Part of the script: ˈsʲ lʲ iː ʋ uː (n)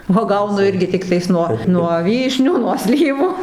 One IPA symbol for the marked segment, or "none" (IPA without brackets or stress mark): none